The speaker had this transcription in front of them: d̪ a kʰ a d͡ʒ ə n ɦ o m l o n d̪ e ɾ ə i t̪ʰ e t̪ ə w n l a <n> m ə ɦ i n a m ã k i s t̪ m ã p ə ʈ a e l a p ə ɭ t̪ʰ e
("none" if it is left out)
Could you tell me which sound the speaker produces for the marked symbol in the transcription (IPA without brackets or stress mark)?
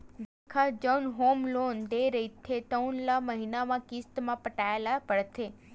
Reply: none